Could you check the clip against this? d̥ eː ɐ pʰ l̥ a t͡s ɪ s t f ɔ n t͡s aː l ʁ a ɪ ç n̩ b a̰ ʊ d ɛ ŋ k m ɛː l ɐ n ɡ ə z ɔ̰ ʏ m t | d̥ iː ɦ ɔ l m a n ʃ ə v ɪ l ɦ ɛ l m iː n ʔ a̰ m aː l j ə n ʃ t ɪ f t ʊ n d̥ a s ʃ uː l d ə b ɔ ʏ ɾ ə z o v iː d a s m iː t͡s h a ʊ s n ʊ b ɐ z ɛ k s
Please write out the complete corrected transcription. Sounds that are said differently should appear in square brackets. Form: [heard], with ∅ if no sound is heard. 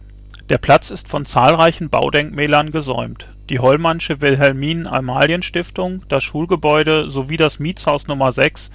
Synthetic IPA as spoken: d̥ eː ɐ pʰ l̥ a t͡s ɪ s t f ɔ n t͡s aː l ʁ a ɪ ç n̩ b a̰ ʊ d ɛ ŋ k m ɛː l ɐ n ɡ ə z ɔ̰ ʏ m t | d̥ iː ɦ ɔ l m a n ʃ ə v ɪ l ɦ ɛ l m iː n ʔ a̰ m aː l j ə n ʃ t ɪ f t ʊ [ŋ] d̥ a s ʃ uː l [ɡ] ə b ɔ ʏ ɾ ə z o v iː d a s m iː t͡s h a ʊ s n ʊ [m] ɐ z ɛ k s